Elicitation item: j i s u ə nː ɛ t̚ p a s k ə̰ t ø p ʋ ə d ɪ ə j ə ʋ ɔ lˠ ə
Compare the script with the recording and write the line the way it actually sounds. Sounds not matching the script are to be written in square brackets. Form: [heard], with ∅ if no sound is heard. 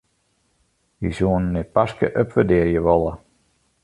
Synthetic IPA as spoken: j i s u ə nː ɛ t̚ p a s k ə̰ [ʔ] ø p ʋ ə d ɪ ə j ə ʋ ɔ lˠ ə